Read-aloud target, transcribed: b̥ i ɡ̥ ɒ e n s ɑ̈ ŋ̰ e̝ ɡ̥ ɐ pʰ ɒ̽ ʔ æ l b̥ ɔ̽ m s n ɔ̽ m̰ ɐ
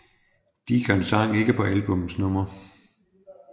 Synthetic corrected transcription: d̥ i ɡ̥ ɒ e n s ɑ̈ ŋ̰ e̝ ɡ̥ ə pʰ ɒ̽ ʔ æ l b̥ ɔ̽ m s n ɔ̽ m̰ ɐ